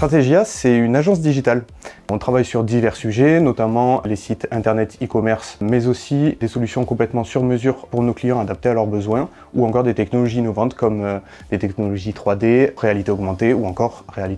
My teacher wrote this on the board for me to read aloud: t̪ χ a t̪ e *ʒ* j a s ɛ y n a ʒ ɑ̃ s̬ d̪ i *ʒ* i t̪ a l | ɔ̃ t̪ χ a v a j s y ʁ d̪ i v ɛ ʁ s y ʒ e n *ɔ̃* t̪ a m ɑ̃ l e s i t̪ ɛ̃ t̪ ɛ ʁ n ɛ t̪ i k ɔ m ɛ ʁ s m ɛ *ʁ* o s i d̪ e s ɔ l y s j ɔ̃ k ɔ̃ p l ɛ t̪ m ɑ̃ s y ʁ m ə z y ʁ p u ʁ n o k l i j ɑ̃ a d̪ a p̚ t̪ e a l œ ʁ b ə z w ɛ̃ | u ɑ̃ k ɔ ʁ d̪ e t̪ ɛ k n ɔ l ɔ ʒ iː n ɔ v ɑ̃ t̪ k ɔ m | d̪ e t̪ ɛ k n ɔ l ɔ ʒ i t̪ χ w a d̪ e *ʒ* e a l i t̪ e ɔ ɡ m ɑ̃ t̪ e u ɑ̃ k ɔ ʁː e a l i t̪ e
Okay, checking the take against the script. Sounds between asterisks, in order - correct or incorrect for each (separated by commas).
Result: correct, correct, incorrect, incorrect, incorrect